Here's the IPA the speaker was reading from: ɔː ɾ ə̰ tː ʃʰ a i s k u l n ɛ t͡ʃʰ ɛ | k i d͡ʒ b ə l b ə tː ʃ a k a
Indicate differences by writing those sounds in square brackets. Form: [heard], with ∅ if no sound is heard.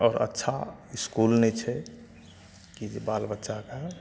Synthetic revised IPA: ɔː ɾ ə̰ tː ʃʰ a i s k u l n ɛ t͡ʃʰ ɛ | k i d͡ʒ b [a] l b ə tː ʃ a k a